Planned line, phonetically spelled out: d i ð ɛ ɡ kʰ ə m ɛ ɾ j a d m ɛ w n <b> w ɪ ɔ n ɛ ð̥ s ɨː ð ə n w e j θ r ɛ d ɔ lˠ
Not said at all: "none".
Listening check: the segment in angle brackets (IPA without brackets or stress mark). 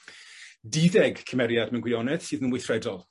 ɡ